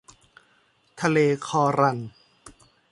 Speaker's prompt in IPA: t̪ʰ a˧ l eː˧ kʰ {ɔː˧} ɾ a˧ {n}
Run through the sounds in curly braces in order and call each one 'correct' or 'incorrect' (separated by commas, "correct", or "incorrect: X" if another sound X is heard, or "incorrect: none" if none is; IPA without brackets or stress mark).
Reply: correct, correct